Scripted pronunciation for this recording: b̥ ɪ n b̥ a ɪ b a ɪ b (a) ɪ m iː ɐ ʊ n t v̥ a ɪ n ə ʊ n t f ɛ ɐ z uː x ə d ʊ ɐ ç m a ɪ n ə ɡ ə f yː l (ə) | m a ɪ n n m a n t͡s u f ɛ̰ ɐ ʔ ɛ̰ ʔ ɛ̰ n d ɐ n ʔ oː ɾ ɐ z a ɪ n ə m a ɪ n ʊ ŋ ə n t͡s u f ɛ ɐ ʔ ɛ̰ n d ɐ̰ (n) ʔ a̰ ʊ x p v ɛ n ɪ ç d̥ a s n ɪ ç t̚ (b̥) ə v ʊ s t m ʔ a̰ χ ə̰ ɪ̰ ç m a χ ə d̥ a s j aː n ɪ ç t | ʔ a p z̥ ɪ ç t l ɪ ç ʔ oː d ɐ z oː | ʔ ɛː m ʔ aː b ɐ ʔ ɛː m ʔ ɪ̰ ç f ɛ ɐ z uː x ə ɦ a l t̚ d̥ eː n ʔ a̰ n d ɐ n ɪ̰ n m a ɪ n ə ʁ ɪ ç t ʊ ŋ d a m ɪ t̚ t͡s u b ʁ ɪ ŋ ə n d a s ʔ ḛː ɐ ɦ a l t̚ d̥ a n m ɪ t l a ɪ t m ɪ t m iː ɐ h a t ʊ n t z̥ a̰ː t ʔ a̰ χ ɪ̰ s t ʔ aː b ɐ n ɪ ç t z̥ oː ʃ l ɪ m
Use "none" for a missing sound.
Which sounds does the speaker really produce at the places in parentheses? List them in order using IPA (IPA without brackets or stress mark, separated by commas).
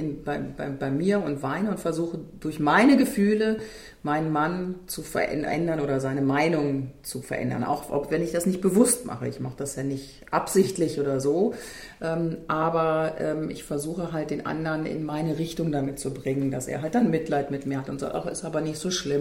a, ə, n, b̥